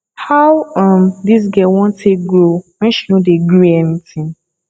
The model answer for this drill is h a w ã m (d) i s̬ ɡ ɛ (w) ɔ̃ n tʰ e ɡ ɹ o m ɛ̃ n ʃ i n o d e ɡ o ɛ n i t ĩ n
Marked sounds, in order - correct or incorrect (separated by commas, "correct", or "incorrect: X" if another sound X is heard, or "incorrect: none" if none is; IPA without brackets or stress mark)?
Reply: correct, correct